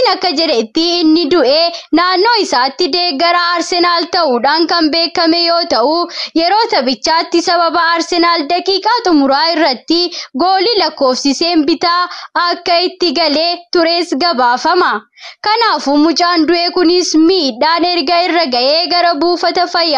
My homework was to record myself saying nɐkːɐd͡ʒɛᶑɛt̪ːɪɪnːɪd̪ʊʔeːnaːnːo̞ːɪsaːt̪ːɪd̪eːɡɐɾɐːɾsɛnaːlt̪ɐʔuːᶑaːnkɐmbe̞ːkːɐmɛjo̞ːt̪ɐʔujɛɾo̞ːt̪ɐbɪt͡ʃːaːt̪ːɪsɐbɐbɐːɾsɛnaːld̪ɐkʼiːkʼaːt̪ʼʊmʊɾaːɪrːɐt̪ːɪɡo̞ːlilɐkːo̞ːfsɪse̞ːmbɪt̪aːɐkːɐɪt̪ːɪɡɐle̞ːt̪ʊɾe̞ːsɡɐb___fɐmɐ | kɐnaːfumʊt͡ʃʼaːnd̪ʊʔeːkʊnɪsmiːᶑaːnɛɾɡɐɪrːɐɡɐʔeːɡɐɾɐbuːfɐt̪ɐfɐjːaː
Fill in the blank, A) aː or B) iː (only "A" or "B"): A